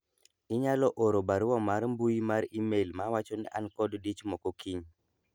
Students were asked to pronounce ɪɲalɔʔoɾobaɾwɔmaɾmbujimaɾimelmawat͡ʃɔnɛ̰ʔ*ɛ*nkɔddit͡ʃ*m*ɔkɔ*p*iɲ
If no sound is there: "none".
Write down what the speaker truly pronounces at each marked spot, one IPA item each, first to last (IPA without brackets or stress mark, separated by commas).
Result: a, m, k